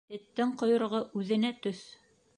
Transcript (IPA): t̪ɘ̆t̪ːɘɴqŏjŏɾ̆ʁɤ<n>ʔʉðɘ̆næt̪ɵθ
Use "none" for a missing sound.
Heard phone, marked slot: none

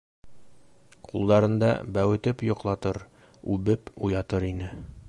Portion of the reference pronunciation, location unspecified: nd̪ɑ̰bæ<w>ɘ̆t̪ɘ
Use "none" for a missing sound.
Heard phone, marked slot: w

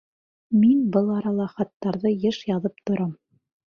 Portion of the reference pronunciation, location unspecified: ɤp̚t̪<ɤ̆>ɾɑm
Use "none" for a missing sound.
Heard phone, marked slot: ŏ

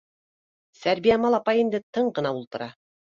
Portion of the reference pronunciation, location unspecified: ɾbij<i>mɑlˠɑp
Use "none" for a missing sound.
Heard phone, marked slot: æ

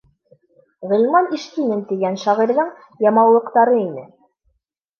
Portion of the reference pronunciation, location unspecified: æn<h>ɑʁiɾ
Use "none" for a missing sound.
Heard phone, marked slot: ʃ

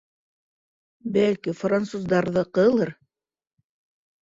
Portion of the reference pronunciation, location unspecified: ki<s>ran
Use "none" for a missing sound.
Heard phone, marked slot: f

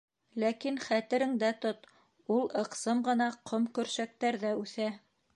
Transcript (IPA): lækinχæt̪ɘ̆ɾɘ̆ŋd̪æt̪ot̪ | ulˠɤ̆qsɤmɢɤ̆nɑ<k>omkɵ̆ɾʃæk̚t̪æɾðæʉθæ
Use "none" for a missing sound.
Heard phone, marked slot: q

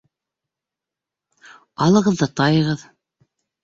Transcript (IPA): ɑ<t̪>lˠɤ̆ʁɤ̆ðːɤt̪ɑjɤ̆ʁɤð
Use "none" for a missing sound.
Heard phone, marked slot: none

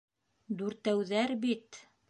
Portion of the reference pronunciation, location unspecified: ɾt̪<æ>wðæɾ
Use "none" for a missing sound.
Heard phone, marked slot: æ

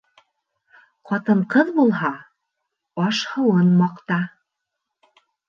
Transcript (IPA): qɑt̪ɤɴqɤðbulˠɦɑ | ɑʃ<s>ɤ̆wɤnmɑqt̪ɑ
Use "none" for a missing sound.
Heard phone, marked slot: h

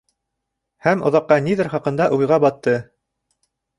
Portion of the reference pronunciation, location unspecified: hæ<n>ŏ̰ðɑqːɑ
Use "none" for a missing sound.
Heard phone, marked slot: m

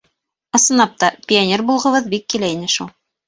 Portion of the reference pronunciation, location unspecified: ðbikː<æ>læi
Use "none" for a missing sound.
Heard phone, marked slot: i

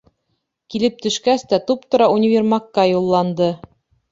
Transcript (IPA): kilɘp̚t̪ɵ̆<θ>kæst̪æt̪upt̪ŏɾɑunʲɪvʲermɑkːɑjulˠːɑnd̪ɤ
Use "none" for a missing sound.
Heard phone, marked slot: ʃ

